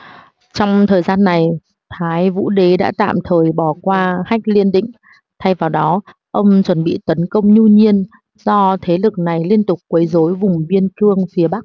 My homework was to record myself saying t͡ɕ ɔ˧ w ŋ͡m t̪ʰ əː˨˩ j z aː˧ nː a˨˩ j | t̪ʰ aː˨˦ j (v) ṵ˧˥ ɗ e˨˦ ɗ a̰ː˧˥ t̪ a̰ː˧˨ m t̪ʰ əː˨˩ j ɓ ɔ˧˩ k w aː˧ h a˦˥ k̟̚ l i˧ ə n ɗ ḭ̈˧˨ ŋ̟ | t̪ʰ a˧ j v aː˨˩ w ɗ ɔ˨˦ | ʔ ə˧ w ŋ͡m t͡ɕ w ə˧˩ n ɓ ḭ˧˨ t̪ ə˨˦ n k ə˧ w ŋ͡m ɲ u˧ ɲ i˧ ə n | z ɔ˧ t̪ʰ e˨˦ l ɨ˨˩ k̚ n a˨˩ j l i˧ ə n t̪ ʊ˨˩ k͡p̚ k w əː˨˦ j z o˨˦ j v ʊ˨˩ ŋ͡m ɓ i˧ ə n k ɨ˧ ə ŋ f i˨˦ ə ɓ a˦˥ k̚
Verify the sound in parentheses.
correct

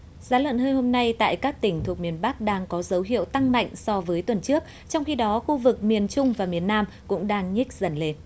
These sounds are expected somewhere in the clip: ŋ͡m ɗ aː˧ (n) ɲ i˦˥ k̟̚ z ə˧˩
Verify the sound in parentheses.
incorrect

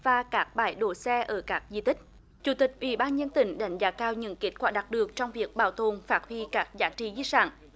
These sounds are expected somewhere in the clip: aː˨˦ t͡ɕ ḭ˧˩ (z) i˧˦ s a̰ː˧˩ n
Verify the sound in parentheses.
correct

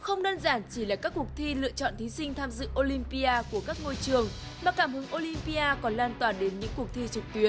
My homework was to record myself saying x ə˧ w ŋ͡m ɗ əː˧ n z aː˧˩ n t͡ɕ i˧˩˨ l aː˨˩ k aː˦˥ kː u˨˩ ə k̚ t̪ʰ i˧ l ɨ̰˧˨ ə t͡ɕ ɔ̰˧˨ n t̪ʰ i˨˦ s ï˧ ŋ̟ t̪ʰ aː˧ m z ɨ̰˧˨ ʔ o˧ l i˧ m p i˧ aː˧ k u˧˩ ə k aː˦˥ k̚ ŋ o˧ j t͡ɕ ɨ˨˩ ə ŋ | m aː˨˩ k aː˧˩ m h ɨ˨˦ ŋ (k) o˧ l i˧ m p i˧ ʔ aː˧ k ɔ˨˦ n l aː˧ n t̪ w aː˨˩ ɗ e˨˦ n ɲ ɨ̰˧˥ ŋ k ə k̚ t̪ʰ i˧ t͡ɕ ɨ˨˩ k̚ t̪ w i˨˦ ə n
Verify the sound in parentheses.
incorrect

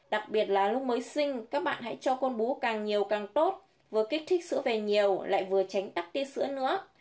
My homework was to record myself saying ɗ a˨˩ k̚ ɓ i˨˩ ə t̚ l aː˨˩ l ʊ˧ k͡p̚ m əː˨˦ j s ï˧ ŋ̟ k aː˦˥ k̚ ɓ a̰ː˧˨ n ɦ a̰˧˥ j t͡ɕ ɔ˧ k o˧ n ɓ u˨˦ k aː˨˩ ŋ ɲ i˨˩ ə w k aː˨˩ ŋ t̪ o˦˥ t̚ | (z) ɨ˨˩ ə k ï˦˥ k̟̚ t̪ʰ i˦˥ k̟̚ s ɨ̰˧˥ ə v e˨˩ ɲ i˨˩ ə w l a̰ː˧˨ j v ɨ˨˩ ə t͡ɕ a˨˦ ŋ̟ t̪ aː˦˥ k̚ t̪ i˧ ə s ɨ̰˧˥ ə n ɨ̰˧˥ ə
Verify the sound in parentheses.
incorrect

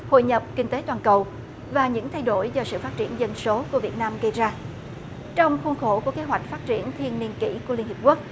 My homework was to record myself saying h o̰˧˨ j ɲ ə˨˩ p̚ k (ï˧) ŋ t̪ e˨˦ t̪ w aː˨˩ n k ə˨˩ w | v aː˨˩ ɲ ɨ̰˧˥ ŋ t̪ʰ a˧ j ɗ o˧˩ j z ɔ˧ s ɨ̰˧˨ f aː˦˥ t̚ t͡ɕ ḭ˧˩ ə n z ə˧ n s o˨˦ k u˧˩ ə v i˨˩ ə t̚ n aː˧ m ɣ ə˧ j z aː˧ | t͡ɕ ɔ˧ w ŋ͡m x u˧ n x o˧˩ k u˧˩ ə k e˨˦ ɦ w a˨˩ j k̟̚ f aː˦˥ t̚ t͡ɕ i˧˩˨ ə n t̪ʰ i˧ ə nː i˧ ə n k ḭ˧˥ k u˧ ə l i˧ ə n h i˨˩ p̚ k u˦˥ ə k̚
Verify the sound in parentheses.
correct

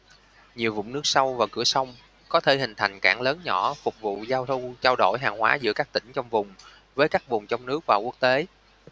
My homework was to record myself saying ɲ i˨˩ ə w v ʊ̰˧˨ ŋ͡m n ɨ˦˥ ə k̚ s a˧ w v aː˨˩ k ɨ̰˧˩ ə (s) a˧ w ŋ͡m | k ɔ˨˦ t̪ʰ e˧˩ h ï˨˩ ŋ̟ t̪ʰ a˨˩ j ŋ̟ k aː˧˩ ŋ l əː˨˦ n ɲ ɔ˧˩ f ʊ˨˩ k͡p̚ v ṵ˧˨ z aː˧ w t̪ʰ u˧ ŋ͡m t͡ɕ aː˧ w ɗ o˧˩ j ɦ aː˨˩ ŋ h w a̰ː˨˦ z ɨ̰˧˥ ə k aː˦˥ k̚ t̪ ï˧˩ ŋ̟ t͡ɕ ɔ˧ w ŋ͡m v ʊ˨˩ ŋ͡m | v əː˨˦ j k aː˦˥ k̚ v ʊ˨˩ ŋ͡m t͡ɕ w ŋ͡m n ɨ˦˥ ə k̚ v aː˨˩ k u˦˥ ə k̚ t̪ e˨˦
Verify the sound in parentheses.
correct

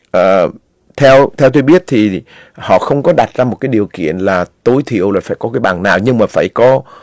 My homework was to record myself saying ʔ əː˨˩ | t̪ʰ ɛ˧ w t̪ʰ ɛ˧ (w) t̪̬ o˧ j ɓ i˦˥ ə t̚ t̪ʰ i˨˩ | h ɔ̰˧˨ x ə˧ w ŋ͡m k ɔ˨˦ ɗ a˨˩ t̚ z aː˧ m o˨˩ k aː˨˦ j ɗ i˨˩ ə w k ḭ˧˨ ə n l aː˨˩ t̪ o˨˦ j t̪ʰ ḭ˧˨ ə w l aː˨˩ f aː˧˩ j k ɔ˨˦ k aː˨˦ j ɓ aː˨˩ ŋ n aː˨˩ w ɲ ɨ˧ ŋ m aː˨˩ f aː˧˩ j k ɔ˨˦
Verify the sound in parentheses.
correct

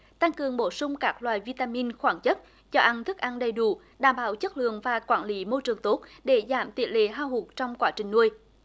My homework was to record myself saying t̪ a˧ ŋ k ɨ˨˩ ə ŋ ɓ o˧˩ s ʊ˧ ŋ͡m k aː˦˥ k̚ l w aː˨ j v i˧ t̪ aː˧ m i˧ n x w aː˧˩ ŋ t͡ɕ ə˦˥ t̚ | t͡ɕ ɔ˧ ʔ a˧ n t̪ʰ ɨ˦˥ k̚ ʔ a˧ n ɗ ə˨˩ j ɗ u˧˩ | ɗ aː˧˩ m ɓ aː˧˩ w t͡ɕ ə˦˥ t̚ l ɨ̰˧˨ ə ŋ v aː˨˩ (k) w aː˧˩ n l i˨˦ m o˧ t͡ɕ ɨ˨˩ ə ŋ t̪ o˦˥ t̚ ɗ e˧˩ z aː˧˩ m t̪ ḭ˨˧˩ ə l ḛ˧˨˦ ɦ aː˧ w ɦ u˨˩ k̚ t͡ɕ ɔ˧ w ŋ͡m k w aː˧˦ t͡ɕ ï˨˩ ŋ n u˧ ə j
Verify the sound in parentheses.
correct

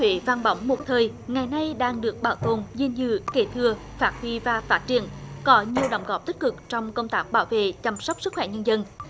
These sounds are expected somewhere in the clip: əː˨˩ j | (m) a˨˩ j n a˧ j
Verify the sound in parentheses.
incorrect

